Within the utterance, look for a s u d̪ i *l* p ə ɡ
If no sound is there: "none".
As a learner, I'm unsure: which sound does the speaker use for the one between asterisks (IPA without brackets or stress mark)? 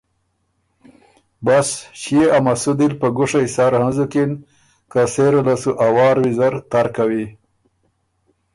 l